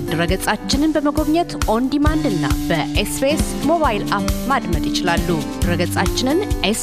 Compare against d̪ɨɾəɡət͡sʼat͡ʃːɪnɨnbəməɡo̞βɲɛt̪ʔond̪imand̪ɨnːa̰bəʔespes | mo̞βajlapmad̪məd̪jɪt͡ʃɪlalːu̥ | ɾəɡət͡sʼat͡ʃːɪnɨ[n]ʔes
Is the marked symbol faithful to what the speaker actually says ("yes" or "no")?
yes